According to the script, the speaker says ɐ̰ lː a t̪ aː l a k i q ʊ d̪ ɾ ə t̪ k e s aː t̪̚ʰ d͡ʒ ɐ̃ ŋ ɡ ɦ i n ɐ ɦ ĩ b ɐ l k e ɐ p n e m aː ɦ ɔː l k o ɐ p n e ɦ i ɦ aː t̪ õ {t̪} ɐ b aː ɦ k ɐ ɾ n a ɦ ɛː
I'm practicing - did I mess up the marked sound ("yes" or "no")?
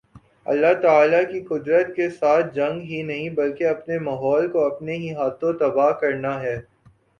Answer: no